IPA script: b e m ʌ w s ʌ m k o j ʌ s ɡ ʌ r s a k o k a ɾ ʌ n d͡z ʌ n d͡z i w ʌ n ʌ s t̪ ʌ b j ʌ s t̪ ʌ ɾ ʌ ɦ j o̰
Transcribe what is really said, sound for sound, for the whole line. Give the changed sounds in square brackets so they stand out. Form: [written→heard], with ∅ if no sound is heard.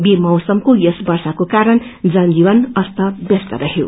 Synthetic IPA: b e m ʌ w s ʌ m k o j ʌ s [ɡ→b] ʌ r s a k o k a ɾ ʌ n d͡z ʌ n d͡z i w ʌ n ʌ s t̪ ʌ b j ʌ s t̪ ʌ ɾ ʌ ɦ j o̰

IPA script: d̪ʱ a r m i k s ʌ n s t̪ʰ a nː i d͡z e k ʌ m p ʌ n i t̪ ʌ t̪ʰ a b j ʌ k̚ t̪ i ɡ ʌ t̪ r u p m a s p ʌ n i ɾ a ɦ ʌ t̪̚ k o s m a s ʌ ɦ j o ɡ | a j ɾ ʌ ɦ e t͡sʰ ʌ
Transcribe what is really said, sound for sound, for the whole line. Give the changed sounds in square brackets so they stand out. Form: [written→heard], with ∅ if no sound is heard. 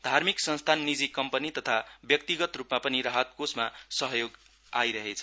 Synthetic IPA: d̪ʱ a r m i k s ʌ n s t̪ʰ a nː i d͡z [e→i] k ʌ m p ʌ n i t̪ ʌ t̪ʰ a b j ʌ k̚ t̪ i ɡ ʌ t̪ r u p m a [s→∅] p ʌ n i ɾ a ɦ ʌ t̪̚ k o s m a s ʌ ɦ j o ɡ | a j ɾ ʌ ɦ e t͡sʰ ʌ

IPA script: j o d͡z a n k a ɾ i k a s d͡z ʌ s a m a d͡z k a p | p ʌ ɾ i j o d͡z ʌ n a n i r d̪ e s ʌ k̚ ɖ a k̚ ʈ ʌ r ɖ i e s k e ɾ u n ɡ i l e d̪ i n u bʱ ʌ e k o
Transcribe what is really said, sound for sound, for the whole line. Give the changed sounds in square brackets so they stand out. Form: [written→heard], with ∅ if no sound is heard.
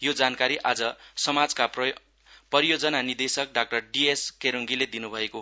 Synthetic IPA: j o d͡z a n k a ɾ i [k→ʔ] a [s→∅] d͡z ʌ s [a→ʌ] m a d͡z k a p | p ʌ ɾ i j o d͡z ʌ n a n i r d̪ e s ʌ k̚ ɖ a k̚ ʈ ʌ r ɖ i e s k e ɾ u [n→ŋ] ɡ i l e d̪ i n u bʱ ʌ e k o

